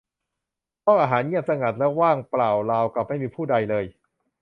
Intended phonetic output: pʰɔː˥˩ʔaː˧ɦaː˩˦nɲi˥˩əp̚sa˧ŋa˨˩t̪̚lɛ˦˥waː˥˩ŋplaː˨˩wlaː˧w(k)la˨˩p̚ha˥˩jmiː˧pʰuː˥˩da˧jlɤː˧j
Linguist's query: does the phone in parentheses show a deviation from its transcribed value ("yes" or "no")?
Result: no